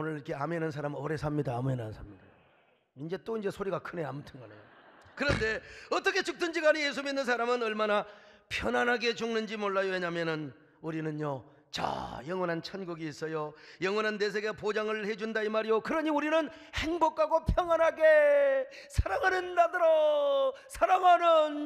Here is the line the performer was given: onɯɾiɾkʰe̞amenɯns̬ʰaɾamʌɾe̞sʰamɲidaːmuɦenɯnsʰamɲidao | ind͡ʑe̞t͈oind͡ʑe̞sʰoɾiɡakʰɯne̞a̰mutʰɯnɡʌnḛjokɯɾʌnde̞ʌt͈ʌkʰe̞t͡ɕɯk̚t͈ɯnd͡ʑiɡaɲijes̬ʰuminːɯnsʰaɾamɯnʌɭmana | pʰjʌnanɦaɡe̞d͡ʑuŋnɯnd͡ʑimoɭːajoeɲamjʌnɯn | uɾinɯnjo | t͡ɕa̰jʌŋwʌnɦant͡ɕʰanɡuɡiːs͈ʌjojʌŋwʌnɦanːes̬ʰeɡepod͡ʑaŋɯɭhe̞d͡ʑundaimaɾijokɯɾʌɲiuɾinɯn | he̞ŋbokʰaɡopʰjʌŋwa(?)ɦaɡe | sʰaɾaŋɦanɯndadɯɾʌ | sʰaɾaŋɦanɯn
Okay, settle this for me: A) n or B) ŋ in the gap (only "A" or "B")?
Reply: A